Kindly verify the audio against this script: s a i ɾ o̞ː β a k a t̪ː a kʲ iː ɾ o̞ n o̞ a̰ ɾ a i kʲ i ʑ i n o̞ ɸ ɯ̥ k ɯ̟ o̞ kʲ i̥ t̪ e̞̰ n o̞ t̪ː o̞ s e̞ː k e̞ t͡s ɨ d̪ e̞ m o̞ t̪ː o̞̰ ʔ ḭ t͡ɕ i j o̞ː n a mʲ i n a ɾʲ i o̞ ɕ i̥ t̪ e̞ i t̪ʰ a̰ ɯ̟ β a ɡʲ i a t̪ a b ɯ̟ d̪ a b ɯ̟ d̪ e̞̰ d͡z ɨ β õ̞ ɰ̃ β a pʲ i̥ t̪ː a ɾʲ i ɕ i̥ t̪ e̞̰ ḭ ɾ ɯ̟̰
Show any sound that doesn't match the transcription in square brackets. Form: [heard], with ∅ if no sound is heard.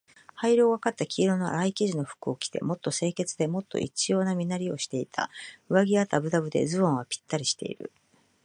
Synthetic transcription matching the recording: [h] a i ɾ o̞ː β a k a t̪ː a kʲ iː ɾ o̞ n o̞ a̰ ɾ a i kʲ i ʑ i n o̞ ɸ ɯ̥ k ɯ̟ o̞ kʲ i̥ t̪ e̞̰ [m] o̞ t̪ː o̞ s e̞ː k e̞ t͡s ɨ d̪ e̞ m o̞ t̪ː o̞̰ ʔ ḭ t͡ɕ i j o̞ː n a mʲ i n a ɾʲ i o̞ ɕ i̥ t̪ e̞ i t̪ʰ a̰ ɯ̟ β a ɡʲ i a t̪ a b ɯ̟ d̪ a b ɯ̟ d̪ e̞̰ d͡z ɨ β õ̞ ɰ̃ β a pʲ i̥ t̪ː a ɾʲ i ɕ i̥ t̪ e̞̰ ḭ ɾ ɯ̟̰

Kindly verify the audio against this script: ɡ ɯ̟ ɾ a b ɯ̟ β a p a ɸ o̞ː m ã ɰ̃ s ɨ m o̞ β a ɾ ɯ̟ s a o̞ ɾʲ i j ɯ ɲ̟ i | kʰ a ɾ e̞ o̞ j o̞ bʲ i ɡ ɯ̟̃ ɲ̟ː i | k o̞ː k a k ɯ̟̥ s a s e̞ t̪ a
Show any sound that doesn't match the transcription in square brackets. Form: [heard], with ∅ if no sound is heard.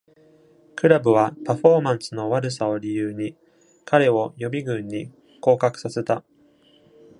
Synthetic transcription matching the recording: [k] ɯ̟ ɾ a b ɯ̟ β a p a ɸ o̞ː m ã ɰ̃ s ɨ [n] o̞ β a ɾ ɯ̟ s a o̞ ɾʲ i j [ɯː] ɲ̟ i | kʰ a ɾ e̞ o̞ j o̞ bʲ i ɡ ɯ̟̃ ɲ̟ː i | k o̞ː k a k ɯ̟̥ s a s e̞ t̪ a

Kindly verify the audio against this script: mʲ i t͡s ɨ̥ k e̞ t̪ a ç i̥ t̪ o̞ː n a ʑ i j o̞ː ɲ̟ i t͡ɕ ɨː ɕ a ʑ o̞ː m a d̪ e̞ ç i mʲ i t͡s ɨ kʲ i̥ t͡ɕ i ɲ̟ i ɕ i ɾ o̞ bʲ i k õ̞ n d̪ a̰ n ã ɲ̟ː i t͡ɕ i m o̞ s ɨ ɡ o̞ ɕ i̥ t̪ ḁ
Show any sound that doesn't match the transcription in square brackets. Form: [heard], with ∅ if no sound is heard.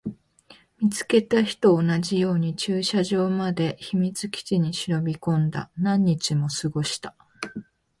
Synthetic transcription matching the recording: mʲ i t͡s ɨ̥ k e̞ t̪ a ç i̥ t̪ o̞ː n a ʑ i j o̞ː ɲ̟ i t͡ɕ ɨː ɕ a ʑ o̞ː m a d̪ e̞ ç i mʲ i t͡s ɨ kʲ i̥ t͡ɕ i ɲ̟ i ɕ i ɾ o̞ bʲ i k õ̞ n d̪ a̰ n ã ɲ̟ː i t͡ɕ i m o̞ s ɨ ɡ o̞ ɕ i̥ t̪ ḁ

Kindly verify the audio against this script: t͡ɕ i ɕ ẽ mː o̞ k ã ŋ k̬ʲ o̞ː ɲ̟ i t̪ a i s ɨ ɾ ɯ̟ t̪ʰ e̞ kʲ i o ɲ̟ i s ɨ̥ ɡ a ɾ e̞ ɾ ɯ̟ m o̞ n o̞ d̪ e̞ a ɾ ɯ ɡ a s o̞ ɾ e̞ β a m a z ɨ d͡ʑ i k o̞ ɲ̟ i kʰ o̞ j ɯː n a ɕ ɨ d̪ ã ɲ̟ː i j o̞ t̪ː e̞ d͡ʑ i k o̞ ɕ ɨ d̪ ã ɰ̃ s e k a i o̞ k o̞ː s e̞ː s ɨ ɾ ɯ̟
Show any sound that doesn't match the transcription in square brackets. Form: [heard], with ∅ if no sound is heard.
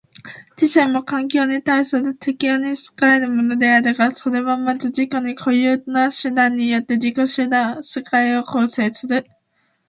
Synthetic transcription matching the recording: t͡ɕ i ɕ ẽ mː o̞ k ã ŋ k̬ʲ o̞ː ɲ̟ i t̪ a i s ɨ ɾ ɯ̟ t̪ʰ e̞ kʲ i o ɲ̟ i s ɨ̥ [k] a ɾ e̞ ɾ ɯ̟ m o̞ n o̞ d̪ e̞ a ɾ ɯ ɡ a s o̞ ɾ e̞ β a m a z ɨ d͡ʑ i k o̞ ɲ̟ i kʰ o̞ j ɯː n a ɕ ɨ d̪ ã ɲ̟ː i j o̞ t̪ː e̞ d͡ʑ i k o̞ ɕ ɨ d̪ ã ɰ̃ s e k a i o̞ k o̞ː s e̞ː s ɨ ɾ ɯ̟

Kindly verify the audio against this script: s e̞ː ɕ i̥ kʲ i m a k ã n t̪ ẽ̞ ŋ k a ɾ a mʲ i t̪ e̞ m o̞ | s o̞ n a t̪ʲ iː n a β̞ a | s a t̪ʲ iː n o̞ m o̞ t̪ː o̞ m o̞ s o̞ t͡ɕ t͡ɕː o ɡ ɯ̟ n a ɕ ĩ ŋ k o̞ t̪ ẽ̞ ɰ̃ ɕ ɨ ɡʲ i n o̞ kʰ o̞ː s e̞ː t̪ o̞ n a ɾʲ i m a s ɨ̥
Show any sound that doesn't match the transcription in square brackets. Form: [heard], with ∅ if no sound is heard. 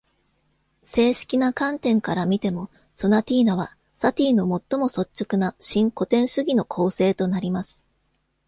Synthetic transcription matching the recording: s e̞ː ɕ i̥ kʲ i [n] a k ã n t̪ ẽ̞ ŋ k a ɾ a mʲ i t̪ e̞ m o̞ | s o̞ n a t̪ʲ iː n a β̞ a | s a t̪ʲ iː n o̞ m o̞ t̪ː o̞ m o̞ s o̞ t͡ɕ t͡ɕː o [k] ɯ̟ n a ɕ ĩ ŋ k o̞ t̪ ẽ̞ ɰ̃ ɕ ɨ ɡʲ i n o̞ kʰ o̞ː s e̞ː t̪ o̞ n a ɾʲ i m a s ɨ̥

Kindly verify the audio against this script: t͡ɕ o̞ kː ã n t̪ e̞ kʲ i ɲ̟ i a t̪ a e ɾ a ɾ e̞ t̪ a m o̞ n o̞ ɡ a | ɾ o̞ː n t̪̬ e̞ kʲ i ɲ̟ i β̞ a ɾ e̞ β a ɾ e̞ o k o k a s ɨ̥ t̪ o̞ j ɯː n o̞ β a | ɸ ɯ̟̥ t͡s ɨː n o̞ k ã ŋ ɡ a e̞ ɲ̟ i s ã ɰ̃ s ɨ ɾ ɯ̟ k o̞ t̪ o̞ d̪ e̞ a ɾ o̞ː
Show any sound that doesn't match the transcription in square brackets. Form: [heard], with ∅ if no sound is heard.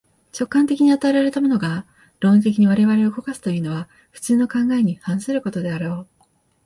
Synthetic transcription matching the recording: t͡ɕ o̞ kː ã n t̪ e̞ kʲ i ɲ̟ i a t̪ a e ɾ a ɾ e̞ t̪ a m o̞ n o̞ ɡ a | ɾ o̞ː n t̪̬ e̞ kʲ i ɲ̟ i β̞ a ɾ e̞ β a ɾ e̞ o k o k a s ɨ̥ t̪ o̞ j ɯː n o̞ β a | ɸ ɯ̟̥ t͡s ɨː n o̞ k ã ŋ ɡ a e̞ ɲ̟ i [h] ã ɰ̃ s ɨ ɾ ɯ̟ k o̞ t̪ o̞ d̪ e̞ a ɾ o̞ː

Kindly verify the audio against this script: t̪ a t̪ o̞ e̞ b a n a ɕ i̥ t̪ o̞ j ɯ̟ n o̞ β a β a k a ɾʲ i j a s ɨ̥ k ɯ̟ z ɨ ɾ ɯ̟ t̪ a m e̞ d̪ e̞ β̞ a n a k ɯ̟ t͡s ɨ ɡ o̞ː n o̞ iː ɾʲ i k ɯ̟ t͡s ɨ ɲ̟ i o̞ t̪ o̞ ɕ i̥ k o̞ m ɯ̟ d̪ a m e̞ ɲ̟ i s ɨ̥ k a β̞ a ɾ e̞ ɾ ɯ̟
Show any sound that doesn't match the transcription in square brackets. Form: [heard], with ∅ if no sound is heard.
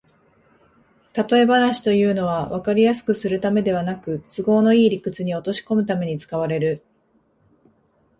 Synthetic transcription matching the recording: t̪ a t̪ o̞ e̞ b a n a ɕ i̥ t̪ o̞ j [ɯ̟ː] n o̞ β a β a k a ɾʲ i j a s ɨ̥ k ɯ̟ [s] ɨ ɾ ɯ̟ t̪ a m e̞ d̪ e̞ β̞ a n a k ɯ̟ t͡s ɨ ɡ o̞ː n o̞ iː ɾʲ i k ɯ̟ t͡s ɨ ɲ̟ i o̞ t̪ o̞ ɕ i̥ k o̞ m ɯ̟ [t̪] a m e̞ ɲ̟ i [t͡s] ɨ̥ k a β̞ a ɾ e̞ ɾ ɯ̟

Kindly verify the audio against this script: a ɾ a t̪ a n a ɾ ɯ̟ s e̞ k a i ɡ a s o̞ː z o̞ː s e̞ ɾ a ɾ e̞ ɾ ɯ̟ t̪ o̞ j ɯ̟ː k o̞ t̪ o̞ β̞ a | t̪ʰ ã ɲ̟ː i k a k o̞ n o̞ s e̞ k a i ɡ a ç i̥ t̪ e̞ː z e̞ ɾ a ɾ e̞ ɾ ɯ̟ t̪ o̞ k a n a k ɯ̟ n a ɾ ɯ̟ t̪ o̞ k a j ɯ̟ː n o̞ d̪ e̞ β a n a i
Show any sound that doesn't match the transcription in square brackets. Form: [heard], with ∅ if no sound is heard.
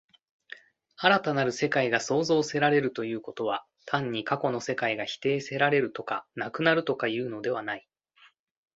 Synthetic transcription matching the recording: a ɾ a t̪ a n a ɾ ɯ̟ s e̞ k a i ɡ a s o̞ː z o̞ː s e̞ ɾ a ɾ e̞ ɾ ɯ̟ t̪ o̞ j ɯ̟ː k o̞ t̪ o̞ β̞ a | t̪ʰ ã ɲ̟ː i k a k o̞ n o̞ s e̞ k a i ɡ a ç i̥ t̪ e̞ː [s] e̞ ɾ a ɾ e̞ ɾ ɯ̟ t̪ o̞ k a n a k ɯ̟ n a ɾ ɯ̟ t̪ o̞ k a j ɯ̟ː n o̞ d̪ e̞ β a n a i

